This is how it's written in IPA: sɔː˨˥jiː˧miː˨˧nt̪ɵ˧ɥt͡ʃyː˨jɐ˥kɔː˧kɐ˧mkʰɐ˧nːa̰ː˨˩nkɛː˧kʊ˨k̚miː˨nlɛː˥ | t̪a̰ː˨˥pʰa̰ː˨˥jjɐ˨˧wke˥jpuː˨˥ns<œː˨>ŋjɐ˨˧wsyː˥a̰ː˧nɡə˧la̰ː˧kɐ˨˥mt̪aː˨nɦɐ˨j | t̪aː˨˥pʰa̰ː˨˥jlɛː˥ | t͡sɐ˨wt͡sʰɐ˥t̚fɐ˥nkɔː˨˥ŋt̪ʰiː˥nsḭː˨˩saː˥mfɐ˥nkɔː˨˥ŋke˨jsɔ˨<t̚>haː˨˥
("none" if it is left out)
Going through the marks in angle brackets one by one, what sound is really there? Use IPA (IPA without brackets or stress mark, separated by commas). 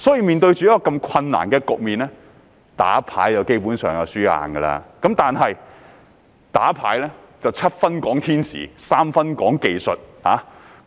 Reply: œː˨, t̚